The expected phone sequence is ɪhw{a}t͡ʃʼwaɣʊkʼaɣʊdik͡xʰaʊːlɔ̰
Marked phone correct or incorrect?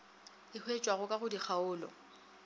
incorrect